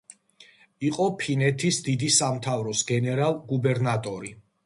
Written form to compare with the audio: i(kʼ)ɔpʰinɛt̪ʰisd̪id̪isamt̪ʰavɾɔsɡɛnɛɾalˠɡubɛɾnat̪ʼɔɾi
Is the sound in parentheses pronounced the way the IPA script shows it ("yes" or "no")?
no